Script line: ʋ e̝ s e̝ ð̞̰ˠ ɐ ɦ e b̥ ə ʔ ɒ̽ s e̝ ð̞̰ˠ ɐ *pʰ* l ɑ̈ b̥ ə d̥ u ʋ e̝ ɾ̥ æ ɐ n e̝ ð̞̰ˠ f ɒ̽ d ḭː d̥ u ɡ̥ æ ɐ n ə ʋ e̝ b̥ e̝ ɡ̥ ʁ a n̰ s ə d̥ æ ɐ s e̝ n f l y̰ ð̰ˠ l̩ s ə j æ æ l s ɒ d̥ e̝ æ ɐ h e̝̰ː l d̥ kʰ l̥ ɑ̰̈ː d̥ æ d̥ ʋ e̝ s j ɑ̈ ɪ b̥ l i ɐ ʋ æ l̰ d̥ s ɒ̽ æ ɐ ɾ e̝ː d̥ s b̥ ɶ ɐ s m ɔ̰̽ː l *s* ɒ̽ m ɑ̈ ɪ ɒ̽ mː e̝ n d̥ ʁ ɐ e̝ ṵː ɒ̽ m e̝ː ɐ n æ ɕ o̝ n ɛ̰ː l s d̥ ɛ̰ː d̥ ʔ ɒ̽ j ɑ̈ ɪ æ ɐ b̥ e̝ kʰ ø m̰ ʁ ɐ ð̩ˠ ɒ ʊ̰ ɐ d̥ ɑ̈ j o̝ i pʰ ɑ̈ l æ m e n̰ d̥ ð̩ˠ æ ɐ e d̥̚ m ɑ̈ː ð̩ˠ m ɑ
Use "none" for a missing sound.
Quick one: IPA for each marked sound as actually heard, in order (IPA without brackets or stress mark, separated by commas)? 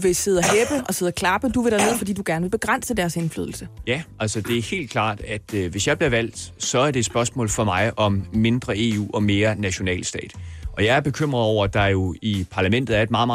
kʰ, f